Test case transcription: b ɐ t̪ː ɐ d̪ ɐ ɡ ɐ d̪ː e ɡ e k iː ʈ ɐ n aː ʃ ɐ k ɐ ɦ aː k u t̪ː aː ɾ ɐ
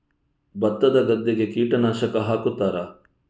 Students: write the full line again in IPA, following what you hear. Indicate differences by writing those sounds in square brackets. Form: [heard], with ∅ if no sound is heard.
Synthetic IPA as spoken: b ɐ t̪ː ɐ d̪ ɐ ɡ ɐ d̪ː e ɡ e k iː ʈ ɐ n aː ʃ ɐ k ɐ ɦ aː k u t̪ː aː ɾ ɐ

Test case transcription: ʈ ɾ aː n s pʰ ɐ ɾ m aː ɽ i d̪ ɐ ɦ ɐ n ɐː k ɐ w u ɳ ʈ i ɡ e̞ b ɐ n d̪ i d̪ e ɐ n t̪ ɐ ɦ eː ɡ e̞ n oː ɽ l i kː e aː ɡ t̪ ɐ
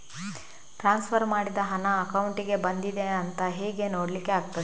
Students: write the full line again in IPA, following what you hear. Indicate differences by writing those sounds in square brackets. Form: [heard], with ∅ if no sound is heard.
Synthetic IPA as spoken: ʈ ɾ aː n s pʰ ɐ ɾ m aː ɽ i d̪ ɐ ɦ ɐ n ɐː k ɐ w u ɳ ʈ i ɡ e̞ b ɐ n d̪ i d̪ e ɐ n t̪ ɐ ɦ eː ɡ e̞ n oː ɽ l i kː e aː ɡ t̪ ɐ

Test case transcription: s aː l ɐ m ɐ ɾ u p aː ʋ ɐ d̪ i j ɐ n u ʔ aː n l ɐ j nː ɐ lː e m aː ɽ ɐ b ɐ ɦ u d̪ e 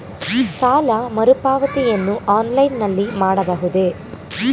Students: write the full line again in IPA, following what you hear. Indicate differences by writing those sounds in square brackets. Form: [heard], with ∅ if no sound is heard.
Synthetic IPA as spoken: s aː l ɐ m ɐ ɾ u p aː ʋ ɐ [t̪] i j ɐ [nː] u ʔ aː n l ɐ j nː ɐ lː [i] m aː ɽ ɐ b ɐ ɦ u d̪ e

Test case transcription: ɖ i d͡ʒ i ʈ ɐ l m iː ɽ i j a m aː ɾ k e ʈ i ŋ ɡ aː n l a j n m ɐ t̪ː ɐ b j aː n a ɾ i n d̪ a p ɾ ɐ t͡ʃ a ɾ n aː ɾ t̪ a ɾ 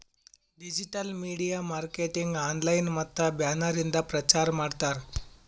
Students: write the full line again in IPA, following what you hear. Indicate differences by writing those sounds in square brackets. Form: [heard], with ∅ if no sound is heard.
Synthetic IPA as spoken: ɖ i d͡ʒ i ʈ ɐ l m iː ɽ i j a m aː ɾ k e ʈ i ŋ ɡ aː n l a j n m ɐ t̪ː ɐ b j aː n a ɾ i n d̪ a p ɾ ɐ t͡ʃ a ɾ [m] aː [ɽ] t̪ a ɾ

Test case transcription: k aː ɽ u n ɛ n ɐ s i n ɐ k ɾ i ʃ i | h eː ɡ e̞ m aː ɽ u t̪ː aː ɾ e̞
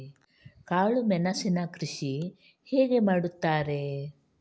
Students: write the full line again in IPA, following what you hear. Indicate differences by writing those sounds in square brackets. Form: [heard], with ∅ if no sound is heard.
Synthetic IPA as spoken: k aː [ɭ] u [m] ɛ n ɐ s i n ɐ k ɾ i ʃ i | h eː ɡ e̞ m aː ɽ u t̪ː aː ɾ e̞

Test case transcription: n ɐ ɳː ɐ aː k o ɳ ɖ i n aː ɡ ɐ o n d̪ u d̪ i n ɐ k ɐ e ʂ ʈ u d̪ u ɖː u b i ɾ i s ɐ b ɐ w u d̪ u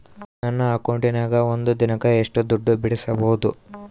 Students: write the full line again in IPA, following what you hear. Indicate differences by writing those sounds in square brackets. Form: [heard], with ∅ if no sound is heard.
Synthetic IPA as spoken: n ɐ [nː] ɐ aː k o ɳ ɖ i n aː ɡ ɐ o n d̪ u d̪ i n ɐ k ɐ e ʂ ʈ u d̪ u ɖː u b i [ɽ] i s ɐ b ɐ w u d̪ u

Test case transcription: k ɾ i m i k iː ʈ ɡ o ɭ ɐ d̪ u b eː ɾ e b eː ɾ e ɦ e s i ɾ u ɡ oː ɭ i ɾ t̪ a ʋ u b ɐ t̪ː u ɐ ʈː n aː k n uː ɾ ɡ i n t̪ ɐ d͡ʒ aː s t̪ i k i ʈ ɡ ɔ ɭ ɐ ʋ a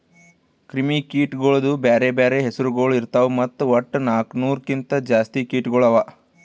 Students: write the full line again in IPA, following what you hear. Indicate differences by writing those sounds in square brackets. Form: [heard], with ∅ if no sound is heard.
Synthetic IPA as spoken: k ɾ i m i k iː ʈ ɡ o ɭ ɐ d̪ u b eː ɾ e b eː ɾ e ɦ e s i ɾ u ɡ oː ɭ i ɾ t̪ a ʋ u [m] ɐ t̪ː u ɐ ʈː n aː k n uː ɾ [k] i n t̪ ɐ d͡ʒ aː s t̪ i k [iː] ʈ ɡ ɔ ɭ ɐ ʋ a

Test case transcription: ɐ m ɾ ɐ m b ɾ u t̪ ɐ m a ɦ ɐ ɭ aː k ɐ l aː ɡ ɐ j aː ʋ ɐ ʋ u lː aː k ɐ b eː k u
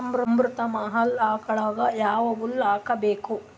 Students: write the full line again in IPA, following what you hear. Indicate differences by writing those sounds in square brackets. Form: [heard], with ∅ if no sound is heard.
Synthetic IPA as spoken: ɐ m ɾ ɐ m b ɾ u t̪ ɐ m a ɦ ɐ [l] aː k ɐ [ɭ] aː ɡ ɐ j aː ʋ ɐ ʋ u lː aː k ɐ b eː k u

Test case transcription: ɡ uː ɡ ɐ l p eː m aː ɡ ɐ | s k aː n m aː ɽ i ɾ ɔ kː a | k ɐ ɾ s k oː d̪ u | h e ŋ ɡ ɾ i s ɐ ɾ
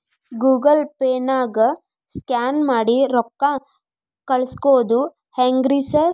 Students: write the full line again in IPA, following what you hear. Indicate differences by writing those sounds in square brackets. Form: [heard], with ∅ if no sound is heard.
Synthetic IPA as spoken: ɡ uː ɡ ɐ l p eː [n] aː ɡ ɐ | s k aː n m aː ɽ i ɾ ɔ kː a | k ɐ [ɭ] s k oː d̪ u | h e ŋ ɡ ɾ i s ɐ ɾ

